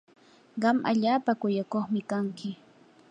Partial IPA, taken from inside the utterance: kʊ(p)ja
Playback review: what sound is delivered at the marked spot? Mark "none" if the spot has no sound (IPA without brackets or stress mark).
none